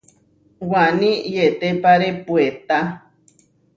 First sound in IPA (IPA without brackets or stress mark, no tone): w